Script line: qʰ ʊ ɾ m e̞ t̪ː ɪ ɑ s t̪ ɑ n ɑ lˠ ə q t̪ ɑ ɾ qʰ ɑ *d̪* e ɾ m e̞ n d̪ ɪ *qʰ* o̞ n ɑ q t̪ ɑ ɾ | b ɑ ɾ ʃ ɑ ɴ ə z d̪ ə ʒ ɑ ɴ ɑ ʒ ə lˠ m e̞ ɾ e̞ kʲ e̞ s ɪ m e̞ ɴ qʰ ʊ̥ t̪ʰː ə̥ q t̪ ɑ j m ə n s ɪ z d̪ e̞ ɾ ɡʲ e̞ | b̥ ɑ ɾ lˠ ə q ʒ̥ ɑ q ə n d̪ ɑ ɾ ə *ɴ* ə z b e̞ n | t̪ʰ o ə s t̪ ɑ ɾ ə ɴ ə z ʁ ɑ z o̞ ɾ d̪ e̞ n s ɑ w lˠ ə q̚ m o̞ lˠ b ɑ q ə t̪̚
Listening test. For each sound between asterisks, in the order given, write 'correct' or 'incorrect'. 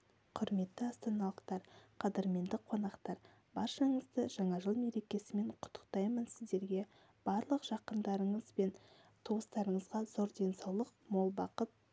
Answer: correct, correct, correct

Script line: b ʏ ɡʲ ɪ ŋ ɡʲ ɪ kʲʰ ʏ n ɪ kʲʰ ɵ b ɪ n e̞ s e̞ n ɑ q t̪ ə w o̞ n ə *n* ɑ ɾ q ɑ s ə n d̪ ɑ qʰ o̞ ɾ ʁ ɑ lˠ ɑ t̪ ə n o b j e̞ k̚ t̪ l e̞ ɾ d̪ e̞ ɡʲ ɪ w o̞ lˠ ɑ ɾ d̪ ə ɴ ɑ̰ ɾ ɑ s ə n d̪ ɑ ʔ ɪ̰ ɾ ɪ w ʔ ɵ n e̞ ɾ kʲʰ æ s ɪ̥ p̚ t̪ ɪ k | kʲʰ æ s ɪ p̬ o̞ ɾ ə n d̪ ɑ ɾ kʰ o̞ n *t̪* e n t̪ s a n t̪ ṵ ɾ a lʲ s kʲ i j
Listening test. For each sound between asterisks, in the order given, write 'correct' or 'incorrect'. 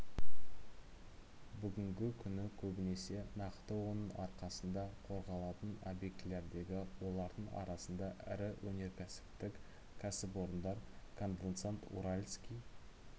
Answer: incorrect, incorrect

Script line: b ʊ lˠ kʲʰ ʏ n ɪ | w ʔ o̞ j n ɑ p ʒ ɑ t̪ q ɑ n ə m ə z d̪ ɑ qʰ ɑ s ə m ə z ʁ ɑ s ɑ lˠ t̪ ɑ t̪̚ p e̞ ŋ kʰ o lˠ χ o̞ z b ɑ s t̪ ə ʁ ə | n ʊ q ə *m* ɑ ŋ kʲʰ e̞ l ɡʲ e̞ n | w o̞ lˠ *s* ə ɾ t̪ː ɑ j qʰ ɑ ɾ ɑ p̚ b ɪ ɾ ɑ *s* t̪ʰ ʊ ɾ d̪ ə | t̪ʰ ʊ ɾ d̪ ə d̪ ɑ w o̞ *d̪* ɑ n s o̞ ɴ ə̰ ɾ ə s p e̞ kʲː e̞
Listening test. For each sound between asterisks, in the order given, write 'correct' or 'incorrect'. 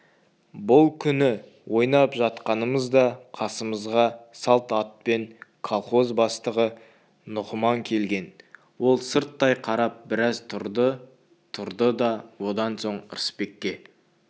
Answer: correct, correct, incorrect, correct

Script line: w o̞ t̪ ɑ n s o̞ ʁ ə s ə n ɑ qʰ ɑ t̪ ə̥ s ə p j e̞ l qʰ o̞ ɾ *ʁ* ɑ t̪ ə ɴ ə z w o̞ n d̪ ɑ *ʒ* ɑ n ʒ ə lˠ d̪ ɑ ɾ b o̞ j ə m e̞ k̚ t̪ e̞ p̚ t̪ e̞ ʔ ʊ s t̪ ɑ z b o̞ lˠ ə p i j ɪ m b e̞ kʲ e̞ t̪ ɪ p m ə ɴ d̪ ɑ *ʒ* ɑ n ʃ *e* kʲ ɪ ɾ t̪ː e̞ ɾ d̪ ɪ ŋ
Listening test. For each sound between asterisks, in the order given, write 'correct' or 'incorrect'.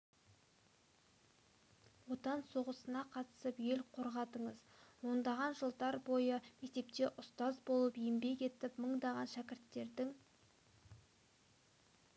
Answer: correct, incorrect, incorrect, incorrect

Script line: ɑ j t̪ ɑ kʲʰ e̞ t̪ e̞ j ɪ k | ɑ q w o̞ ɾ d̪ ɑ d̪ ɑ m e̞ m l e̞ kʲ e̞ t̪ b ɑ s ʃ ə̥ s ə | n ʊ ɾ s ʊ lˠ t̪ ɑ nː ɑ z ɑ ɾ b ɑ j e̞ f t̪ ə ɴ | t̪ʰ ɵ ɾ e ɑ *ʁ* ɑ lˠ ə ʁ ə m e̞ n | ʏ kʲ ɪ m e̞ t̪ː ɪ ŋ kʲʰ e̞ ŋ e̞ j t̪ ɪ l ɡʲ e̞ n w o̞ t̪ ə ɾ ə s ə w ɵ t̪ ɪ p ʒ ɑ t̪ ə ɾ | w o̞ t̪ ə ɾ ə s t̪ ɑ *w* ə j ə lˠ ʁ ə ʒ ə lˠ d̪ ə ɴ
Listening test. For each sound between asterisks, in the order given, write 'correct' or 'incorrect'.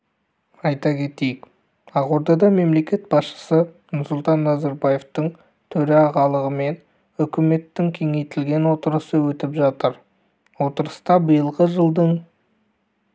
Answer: correct, incorrect

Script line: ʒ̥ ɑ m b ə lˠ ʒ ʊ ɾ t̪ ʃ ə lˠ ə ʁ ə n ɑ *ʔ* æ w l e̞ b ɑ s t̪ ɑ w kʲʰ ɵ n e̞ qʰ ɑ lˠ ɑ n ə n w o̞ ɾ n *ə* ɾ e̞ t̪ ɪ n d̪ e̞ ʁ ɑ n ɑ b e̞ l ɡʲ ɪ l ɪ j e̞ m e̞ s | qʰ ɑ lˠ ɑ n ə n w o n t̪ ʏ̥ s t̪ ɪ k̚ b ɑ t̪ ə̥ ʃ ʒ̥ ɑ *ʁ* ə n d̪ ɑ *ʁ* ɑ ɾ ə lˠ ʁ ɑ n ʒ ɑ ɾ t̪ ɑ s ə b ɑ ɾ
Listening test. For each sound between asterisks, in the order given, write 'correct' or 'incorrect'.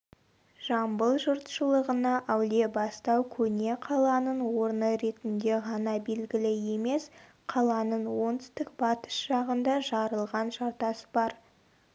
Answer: correct, correct, correct, incorrect

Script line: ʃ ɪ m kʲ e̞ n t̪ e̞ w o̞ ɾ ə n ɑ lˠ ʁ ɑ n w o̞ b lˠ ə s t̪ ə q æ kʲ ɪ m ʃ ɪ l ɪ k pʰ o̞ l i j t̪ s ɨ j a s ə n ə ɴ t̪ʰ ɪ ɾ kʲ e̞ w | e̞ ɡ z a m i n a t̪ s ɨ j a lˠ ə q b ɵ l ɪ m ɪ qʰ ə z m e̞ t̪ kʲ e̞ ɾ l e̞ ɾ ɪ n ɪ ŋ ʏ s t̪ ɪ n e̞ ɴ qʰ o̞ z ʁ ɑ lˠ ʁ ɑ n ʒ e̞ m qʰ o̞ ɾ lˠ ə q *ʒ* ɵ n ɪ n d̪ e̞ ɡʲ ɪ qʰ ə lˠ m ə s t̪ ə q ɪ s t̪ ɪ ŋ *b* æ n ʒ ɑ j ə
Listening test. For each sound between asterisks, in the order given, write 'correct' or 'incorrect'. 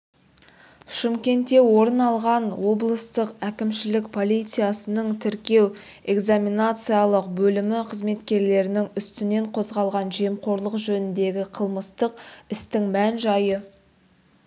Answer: correct, incorrect

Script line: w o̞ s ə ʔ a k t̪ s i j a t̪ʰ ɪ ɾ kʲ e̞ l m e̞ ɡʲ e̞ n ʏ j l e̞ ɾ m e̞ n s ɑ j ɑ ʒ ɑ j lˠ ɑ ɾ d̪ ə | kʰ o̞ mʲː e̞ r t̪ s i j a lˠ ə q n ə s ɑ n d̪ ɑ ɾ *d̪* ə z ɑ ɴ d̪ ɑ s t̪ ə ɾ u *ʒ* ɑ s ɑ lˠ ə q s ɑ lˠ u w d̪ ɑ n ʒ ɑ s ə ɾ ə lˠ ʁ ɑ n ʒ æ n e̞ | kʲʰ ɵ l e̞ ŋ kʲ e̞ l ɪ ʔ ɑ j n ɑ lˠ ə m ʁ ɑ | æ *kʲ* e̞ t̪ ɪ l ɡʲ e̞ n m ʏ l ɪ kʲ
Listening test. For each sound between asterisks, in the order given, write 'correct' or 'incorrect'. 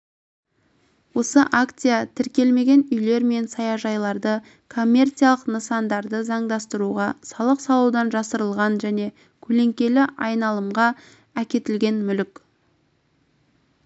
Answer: correct, incorrect, correct

